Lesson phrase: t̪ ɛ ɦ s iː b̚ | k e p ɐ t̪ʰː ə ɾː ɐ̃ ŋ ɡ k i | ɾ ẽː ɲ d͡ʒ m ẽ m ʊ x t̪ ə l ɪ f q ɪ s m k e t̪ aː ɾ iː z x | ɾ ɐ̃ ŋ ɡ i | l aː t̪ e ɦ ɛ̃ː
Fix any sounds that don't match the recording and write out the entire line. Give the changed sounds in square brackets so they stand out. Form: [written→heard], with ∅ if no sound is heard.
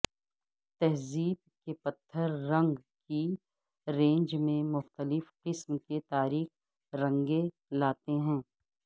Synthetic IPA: t̪ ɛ ɦ [s→z] iː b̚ | k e p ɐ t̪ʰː ə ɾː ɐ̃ ŋ ɡ k i | ɾ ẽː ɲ d͡ʒ m ẽ m ʊ x t̪ ə l ɪ f q ɪ s m k e t̪ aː ɾ iː [z→∅] x | ɾ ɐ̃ ŋ ɡ [i→e] | l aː t̪ e ɦ ɛ̃ː